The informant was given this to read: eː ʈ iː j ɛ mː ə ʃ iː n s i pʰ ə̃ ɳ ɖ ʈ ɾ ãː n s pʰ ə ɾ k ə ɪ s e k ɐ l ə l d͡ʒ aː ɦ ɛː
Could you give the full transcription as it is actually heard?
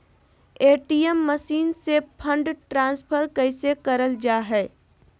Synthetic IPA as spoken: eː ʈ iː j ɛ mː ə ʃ iː n s e pʰ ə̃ ɳ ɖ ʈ ɾ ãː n s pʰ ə ɾ k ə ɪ s e k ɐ ɾ ə l d͡ʒ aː ɦ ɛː